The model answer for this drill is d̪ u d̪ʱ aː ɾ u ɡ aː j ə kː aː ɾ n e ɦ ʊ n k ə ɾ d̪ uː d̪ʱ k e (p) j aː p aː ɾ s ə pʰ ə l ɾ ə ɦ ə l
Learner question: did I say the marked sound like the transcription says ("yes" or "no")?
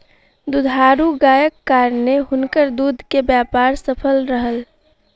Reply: no